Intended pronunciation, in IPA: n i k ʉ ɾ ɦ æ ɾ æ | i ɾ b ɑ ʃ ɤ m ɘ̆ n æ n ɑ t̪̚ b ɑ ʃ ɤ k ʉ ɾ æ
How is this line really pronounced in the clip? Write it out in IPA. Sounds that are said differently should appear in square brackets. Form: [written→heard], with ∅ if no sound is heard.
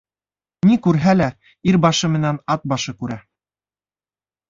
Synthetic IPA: n i k ʉ ɾ ɦ æ [ɾ→l] æ | i ɾ b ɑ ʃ ɤ m ɘ̆ n æ n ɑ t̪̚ b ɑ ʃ ɤ k ʉ ɾ æ

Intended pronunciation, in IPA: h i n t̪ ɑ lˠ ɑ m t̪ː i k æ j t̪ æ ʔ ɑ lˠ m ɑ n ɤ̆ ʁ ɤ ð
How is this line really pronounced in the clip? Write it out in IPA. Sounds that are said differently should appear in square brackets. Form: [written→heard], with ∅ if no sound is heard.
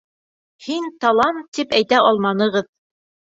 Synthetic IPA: h i n t̪ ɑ lˠ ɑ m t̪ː i [k→p] æ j t̪ æ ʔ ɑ lˠ m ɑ n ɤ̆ ʁ ɤ ð

